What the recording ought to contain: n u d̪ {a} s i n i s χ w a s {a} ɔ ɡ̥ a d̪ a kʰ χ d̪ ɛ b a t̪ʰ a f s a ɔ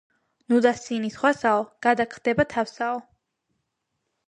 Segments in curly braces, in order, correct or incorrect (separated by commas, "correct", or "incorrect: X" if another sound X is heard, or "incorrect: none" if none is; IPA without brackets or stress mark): correct, correct